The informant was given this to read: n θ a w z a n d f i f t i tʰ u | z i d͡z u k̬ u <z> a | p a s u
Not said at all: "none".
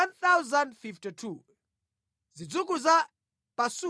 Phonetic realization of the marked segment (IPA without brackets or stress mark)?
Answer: z